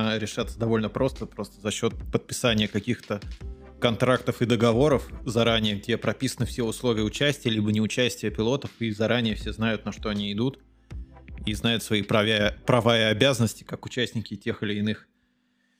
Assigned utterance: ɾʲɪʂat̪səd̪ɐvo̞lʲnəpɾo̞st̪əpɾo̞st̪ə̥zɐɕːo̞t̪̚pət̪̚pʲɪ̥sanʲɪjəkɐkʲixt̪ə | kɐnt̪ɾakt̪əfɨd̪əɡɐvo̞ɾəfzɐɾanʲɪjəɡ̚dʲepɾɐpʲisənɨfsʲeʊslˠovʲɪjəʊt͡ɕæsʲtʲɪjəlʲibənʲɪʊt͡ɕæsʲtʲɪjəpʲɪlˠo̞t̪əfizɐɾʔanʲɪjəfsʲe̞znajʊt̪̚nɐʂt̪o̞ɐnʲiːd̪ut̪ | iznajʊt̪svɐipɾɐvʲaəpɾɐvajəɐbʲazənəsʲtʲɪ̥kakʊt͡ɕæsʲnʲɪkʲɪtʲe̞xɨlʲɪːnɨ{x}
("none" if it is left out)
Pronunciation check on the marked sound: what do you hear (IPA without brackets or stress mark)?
x